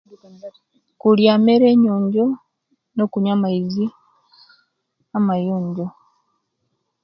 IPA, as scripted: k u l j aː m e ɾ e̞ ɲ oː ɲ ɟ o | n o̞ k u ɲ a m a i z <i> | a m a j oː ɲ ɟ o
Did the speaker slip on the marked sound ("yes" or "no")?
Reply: no